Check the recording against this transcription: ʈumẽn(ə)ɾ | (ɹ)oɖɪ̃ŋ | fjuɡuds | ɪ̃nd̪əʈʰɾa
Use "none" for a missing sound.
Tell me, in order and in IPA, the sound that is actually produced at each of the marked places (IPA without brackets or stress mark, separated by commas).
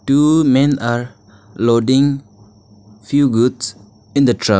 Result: a, l